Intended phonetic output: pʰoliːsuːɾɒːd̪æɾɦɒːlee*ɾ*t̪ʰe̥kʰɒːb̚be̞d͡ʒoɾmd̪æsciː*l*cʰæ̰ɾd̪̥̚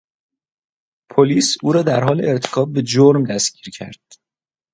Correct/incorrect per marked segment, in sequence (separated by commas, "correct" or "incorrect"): correct, incorrect